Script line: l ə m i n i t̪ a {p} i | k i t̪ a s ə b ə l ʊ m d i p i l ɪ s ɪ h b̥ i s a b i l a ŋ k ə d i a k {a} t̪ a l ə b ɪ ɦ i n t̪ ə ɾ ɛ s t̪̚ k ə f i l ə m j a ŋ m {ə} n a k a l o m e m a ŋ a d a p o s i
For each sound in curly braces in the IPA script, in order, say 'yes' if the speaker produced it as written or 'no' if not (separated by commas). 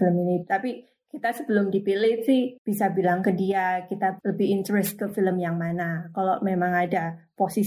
yes, no, no